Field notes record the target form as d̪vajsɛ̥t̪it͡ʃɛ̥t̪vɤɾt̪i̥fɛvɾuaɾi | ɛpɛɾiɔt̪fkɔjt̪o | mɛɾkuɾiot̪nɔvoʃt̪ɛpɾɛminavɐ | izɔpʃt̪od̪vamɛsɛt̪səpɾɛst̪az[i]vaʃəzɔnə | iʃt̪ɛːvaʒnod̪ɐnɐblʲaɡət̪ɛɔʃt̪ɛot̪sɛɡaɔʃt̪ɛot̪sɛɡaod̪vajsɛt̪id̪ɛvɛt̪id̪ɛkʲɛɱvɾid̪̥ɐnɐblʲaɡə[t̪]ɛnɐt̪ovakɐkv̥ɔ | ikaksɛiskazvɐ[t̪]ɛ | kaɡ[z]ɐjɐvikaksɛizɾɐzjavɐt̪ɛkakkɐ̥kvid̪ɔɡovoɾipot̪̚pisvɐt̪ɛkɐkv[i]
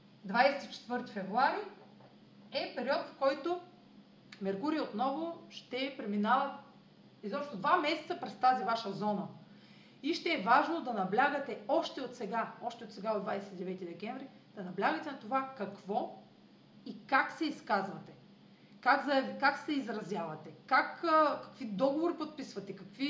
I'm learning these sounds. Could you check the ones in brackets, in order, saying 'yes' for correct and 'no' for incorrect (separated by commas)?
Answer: yes, yes, yes, yes, yes